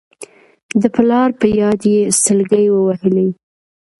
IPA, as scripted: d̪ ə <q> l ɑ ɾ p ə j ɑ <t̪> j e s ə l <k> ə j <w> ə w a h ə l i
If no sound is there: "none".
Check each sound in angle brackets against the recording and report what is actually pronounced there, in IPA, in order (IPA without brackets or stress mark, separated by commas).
p, d̪, ɡ, w